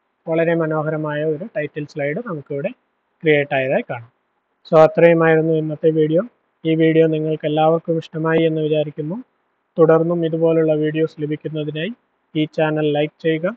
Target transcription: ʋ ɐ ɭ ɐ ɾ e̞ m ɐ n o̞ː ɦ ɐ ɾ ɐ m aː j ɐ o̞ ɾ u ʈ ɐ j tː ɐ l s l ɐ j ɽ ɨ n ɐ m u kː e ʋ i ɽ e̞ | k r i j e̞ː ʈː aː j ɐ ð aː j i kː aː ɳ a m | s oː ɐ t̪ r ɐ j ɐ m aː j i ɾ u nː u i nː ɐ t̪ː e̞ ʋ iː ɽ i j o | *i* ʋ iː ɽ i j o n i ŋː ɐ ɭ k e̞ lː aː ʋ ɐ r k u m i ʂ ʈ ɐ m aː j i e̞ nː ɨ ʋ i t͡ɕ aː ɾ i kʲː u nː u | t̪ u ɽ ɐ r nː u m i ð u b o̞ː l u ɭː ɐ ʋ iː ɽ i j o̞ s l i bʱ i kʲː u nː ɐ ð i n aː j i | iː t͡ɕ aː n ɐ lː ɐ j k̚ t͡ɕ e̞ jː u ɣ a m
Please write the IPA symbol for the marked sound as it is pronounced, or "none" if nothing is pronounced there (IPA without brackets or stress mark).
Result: iː